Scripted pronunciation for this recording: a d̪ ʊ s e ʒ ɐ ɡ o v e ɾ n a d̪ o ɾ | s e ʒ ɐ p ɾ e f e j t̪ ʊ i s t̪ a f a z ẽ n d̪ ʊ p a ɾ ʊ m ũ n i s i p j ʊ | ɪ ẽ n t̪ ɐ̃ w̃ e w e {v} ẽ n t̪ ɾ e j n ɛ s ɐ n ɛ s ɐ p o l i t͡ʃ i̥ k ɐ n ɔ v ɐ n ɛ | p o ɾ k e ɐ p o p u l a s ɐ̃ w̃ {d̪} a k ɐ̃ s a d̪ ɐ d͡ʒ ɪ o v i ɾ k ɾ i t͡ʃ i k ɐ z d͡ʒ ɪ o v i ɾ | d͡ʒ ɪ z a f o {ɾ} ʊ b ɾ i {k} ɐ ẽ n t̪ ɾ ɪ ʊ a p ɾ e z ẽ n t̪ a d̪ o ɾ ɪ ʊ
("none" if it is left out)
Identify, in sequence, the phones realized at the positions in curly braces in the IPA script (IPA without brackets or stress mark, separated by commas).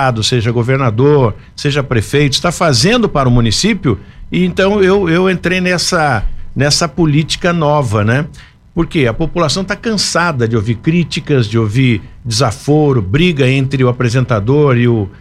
w, t̪, ɾ, ɡ